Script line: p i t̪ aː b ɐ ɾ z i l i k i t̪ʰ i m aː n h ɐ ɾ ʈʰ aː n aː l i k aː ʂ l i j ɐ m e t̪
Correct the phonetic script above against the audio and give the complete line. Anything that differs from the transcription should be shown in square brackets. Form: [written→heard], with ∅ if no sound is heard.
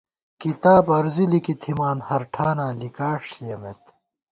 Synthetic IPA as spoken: [p→k] i t̪ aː b ɐ ɾ z i l i k i t̪ʰ i m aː n h ɐ ɾ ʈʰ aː n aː l i k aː ʂ l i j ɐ m e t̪

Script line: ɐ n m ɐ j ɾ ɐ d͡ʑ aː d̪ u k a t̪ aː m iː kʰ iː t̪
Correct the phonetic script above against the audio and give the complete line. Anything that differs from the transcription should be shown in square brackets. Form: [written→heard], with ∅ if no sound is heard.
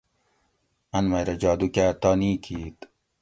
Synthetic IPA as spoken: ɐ n m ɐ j ɾ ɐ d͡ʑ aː d̪ u k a t̪ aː [m→n] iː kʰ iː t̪

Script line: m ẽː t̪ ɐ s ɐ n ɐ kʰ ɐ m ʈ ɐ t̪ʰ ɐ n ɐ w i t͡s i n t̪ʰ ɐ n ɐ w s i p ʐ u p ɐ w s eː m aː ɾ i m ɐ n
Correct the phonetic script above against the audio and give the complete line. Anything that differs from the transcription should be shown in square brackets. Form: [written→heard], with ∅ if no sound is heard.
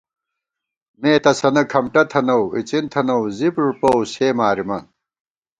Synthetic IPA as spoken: m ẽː t̪ ɐ s ɐ n ɐ kʰ ɐ m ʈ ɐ t̪ʰ ɐ n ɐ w i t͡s i n t̪ʰ ɐ n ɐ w [s→z] i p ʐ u p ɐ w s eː m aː ɾ i m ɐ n

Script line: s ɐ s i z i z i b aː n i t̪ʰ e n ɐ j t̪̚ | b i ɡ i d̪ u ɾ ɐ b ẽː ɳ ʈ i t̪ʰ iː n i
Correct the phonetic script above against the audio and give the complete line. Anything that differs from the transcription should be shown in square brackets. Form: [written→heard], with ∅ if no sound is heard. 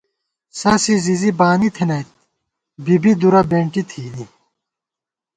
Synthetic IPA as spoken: s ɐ s i z i z i b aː n i t̪ʰ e n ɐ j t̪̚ | b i [ɡ→b] i d̪ u ɾ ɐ b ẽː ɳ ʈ i t̪ʰ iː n i

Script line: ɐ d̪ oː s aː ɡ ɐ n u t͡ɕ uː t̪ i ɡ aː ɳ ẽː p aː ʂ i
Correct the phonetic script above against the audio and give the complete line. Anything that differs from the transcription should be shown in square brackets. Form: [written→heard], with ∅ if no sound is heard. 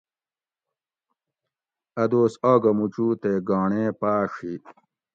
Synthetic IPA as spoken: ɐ d̪ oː s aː ɡ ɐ [n→m] u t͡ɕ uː t̪ [i→e] ɡ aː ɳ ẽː p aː ʂ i

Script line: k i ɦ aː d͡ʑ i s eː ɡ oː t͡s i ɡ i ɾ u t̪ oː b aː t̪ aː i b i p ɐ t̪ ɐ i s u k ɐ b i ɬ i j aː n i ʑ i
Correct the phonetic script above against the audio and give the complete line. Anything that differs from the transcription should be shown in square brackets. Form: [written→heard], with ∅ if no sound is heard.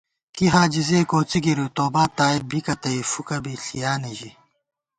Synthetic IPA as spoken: k i ɦ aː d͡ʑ i [s→z] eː [ɡ→k] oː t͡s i ɡ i ɾ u t̪ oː b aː t̪ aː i b i [p→k] ɐ t̪ ɐ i [s→f] u k ɐ b i ɬ i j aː n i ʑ i

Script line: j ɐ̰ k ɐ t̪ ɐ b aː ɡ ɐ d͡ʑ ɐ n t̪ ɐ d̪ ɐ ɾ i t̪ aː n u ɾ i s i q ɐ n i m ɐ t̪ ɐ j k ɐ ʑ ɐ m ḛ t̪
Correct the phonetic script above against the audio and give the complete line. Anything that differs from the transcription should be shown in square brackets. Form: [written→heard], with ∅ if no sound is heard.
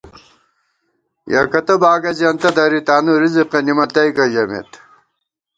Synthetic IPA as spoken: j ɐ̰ k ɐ t̪ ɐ b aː ɡ ɐ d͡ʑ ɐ n t̪ ɐ d̪ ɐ ɾ i t̪ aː n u ɾ i [s→z] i q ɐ n i m ɐ t̪ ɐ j k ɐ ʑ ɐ m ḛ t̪

